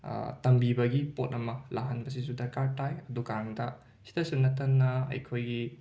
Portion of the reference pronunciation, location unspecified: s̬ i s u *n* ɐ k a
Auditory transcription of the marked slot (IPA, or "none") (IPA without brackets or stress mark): d